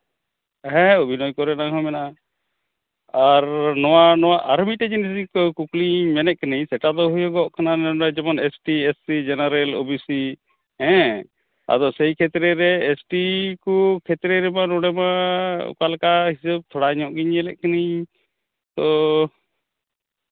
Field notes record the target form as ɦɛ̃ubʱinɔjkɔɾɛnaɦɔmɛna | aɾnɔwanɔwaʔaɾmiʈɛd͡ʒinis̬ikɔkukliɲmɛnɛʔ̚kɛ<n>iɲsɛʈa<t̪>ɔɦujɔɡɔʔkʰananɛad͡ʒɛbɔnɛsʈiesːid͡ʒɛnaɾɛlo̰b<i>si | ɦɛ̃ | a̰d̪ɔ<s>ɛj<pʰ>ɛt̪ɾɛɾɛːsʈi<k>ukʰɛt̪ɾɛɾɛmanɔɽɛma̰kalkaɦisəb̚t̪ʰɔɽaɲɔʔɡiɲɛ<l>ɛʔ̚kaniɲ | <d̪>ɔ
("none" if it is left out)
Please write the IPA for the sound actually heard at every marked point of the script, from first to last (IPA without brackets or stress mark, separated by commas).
n, d̪, i, s, kʰ, k, l, t̪